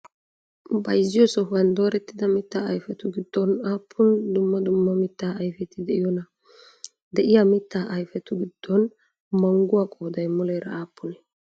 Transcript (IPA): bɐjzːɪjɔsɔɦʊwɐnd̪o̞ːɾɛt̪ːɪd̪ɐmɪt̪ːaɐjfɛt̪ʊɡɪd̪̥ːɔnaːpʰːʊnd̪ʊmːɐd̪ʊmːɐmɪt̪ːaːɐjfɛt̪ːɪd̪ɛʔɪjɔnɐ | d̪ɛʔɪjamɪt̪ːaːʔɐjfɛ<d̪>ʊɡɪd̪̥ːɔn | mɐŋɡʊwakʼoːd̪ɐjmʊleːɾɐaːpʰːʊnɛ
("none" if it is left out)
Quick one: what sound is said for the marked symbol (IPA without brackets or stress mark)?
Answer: t̪